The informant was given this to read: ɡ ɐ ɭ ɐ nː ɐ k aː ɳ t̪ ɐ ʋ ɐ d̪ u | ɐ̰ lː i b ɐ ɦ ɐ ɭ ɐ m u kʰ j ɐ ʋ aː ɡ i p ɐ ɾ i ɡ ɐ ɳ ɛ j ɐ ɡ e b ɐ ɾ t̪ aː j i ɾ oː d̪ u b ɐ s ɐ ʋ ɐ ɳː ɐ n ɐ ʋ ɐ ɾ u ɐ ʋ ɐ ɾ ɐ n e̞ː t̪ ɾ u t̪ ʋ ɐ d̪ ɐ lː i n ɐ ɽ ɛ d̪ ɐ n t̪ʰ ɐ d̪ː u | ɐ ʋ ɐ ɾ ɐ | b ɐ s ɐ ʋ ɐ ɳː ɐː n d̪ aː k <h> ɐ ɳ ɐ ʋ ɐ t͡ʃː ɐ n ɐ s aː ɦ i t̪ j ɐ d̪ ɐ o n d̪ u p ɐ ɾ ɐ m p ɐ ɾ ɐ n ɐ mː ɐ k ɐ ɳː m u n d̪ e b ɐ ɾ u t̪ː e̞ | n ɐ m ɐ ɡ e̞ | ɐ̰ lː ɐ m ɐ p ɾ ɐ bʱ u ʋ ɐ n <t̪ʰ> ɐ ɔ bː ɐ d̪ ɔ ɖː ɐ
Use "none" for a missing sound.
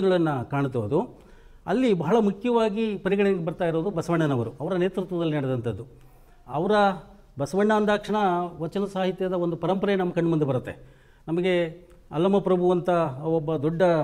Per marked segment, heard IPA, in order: ʂ, t̪

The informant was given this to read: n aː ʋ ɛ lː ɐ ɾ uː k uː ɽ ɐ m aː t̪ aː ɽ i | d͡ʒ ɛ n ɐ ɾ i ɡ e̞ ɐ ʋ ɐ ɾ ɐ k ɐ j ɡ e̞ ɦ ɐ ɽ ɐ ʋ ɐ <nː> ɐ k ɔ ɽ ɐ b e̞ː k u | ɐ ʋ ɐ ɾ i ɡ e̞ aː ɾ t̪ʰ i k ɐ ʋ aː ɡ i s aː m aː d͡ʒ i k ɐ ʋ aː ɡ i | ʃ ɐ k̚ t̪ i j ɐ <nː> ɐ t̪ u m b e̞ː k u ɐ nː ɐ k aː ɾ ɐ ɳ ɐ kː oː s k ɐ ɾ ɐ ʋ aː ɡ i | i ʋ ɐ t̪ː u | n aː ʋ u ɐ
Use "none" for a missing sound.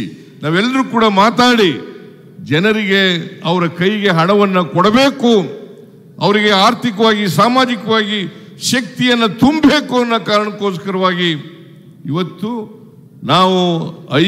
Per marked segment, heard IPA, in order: nː, nː

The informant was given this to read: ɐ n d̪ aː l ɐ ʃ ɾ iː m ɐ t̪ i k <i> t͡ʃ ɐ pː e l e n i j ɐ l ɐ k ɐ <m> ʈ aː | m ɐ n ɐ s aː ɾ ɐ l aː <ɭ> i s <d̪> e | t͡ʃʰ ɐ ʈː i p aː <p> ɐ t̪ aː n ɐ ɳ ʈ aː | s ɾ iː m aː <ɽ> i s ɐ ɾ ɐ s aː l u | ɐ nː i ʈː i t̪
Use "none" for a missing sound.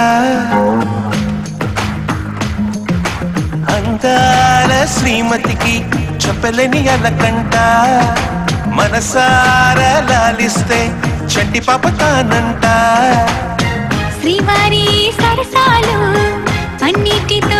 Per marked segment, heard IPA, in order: i, ɳ, l, t̪, p, ɾ

